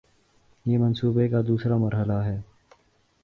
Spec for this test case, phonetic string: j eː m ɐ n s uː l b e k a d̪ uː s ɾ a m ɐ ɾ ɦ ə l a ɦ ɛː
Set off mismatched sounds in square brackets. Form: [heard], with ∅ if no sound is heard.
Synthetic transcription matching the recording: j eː m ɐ n s uː [∅] b e k a d̪ uː s ɾ a m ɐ ɾ ɦ ə l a ɦ ɛː